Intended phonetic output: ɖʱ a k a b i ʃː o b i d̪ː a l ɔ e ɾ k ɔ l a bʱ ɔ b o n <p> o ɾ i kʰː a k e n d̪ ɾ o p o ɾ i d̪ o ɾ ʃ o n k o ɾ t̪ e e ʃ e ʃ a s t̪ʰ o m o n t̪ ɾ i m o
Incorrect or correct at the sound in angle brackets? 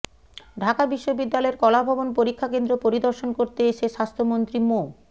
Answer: correct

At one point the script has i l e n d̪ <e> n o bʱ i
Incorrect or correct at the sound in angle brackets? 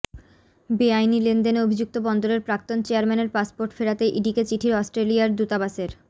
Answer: correct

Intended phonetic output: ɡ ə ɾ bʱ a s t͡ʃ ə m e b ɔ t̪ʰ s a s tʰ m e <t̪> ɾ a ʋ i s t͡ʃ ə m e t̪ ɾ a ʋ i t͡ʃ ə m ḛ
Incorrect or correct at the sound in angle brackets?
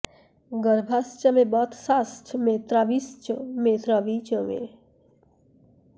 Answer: correct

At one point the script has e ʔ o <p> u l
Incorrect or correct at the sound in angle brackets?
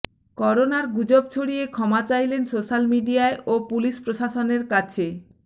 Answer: correct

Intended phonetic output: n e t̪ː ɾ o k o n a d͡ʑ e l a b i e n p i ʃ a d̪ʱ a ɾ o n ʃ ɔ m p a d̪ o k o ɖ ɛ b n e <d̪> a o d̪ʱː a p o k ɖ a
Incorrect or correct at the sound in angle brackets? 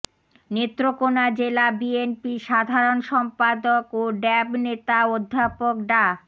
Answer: incorrect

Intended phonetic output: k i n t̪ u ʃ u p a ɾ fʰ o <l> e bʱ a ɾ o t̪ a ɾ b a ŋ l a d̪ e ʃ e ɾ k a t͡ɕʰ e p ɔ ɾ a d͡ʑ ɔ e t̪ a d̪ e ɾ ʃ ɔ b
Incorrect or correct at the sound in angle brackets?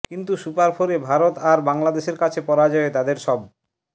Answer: incorrect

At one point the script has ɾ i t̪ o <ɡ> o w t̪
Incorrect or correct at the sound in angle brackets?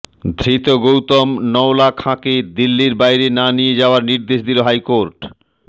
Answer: correct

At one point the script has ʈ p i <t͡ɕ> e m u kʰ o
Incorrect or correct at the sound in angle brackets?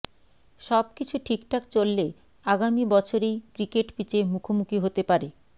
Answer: correct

